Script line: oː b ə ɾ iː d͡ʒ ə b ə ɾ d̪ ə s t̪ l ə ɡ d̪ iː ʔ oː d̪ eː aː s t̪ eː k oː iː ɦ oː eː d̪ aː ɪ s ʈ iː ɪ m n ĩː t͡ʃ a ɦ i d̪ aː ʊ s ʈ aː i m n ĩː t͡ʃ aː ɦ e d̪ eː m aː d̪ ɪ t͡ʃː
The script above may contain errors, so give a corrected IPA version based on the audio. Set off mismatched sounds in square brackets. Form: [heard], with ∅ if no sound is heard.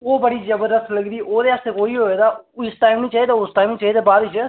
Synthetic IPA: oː b ə [ɽ] iː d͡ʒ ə b ə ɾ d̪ ə s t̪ l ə ɡ d̪ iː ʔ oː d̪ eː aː s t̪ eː k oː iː ɦ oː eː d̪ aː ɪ s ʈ [aː] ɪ m n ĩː t͡ʃ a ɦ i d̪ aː ʊ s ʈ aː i m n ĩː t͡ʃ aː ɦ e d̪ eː [b] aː d̪ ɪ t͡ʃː